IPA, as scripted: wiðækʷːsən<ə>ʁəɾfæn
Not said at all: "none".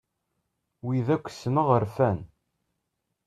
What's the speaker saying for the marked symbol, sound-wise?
ə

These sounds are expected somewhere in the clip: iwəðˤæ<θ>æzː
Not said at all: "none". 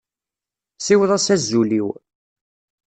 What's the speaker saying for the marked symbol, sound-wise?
s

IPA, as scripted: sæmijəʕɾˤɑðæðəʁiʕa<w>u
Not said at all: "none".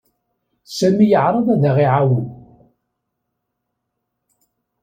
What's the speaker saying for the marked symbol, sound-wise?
w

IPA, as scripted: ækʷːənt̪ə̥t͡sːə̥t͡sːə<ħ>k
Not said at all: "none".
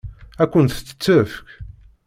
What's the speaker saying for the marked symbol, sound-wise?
f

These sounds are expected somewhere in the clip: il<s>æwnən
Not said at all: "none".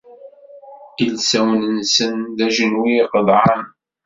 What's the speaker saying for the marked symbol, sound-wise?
s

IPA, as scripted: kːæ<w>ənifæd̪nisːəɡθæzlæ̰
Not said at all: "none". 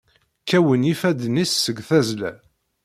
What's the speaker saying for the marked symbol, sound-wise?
w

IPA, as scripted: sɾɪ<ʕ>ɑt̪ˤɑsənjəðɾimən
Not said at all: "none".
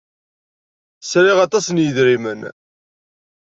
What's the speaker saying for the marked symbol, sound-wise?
ʁ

